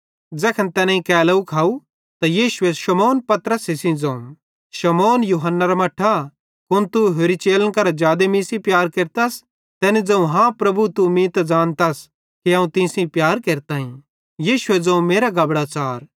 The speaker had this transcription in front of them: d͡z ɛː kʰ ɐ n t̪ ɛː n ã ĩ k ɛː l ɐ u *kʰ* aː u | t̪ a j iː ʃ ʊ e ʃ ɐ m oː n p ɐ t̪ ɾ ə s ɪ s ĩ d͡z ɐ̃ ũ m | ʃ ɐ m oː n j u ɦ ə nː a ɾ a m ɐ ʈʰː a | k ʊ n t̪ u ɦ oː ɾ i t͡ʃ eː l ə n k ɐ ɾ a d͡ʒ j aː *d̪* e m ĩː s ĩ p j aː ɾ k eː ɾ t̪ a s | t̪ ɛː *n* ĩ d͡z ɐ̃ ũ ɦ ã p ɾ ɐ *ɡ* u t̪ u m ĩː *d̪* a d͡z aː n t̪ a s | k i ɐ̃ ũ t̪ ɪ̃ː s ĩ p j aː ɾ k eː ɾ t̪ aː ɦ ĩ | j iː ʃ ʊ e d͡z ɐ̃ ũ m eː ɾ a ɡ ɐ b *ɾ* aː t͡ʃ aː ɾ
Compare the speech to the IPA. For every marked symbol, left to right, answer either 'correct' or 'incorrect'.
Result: correct, correct, correct, incorrect, incorrect, incorrect

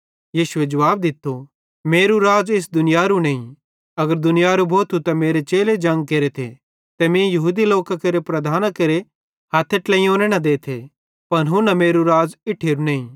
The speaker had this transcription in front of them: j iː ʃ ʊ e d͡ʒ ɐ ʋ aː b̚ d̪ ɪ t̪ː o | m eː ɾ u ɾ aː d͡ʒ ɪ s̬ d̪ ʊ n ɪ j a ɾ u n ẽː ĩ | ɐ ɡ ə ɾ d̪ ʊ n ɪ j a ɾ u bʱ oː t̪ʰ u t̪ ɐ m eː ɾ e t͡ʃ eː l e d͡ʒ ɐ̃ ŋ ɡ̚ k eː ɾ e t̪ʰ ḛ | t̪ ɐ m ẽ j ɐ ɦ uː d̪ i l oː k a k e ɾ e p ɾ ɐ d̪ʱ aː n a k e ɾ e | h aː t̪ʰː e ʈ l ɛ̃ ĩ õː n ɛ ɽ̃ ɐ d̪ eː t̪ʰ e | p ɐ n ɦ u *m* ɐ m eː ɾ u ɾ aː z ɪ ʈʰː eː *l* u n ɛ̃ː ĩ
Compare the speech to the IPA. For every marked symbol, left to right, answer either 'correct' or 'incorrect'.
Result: incorrect, incorrect

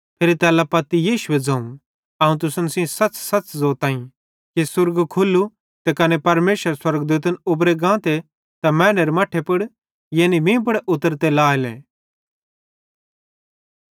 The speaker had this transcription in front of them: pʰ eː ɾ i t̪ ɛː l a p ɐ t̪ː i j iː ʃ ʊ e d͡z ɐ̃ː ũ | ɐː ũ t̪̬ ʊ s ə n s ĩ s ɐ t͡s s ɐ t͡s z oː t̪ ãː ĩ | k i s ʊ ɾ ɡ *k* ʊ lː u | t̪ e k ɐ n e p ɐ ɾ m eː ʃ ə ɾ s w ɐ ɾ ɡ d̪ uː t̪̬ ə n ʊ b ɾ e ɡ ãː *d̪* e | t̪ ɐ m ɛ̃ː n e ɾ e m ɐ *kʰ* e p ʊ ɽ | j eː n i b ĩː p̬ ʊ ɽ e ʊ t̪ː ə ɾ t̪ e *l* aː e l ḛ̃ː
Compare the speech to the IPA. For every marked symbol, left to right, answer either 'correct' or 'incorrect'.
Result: incorrect, incorrect, incorrect, correct

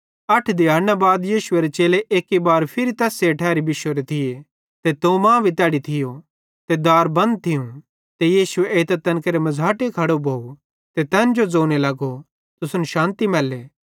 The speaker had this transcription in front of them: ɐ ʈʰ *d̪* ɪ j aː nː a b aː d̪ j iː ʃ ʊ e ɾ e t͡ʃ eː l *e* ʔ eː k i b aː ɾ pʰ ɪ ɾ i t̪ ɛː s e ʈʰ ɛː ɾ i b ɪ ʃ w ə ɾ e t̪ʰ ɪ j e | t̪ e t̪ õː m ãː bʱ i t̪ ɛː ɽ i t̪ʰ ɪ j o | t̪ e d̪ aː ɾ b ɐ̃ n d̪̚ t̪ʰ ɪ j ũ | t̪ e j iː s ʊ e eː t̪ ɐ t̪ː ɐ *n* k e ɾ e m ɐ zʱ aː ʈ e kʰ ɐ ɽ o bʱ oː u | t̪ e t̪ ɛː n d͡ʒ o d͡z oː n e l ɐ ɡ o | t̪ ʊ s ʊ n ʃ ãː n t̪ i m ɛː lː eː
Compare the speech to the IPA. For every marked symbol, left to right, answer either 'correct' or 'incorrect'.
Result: correct, correct, correct

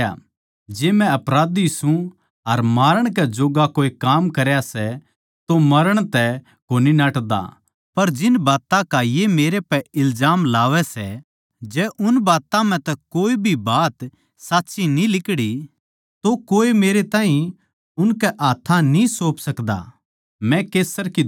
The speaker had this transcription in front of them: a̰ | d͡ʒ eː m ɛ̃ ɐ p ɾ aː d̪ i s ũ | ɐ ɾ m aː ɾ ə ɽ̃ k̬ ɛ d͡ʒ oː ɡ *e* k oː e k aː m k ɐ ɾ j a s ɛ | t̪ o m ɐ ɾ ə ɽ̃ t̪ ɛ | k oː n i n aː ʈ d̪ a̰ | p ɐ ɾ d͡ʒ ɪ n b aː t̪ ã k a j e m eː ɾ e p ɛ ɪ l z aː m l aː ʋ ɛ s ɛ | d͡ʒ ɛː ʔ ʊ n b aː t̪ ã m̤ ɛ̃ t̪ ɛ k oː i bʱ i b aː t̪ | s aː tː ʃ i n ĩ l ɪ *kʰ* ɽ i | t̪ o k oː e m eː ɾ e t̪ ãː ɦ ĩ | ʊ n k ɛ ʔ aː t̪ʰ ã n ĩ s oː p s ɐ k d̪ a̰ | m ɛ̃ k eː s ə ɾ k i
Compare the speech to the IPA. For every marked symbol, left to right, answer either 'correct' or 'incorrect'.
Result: incorrect, incorrect

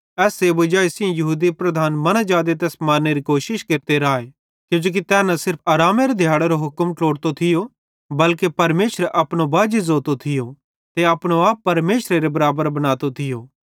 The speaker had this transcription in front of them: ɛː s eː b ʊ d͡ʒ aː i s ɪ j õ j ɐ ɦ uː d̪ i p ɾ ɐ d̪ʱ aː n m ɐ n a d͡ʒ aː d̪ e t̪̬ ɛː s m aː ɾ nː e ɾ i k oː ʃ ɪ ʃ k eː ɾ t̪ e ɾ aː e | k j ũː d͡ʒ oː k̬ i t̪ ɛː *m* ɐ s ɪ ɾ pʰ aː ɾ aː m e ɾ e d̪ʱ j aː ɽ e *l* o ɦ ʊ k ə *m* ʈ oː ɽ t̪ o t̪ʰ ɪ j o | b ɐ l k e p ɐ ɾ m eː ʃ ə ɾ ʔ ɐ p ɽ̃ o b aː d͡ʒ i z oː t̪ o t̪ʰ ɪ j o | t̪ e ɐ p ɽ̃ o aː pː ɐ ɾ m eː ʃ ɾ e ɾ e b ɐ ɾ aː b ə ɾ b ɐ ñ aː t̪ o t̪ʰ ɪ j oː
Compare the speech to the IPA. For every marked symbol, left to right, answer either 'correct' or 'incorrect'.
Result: incorrect, incorrect, correct

